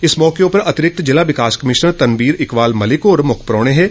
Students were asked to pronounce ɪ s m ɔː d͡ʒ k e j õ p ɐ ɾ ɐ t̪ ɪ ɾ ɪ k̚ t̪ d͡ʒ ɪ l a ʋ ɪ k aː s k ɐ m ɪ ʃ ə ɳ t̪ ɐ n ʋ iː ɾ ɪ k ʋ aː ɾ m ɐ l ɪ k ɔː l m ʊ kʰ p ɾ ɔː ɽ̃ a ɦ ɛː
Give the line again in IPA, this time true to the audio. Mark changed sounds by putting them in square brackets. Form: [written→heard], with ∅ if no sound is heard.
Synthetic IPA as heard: ɪ s m ɔː [d͡ʒ→∅] k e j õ p ɐ ɾ ɐ t̪ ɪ ɾ ɪ k̚ t̪ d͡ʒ ɪ l a ʋ ɪ k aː s k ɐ m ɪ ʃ ə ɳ t̪ ɐ n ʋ iː ɾ ɪ k ʋ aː [ɾ→l] m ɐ l ɪ k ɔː [l→ɾ] m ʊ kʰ p ɾ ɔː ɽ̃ [a→e] ɦ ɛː